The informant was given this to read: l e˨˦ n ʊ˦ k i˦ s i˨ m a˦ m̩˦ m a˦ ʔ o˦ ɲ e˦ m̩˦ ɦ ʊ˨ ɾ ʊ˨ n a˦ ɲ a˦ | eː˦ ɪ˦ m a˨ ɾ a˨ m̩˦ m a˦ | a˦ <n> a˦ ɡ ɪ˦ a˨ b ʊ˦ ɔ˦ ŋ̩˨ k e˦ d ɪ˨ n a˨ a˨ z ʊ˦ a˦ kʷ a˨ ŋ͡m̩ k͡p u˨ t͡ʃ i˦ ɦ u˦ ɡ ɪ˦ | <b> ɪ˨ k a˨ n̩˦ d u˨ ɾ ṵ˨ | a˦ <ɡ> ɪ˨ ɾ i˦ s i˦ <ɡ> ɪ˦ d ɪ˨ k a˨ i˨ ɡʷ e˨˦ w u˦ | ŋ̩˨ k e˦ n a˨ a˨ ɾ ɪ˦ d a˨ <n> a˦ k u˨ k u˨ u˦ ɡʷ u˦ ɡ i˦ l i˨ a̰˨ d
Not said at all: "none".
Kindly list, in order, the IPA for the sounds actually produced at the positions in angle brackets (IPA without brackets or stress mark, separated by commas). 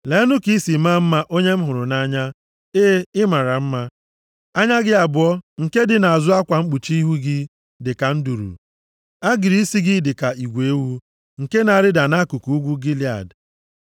ɲ, d, ɡ, ɡ, n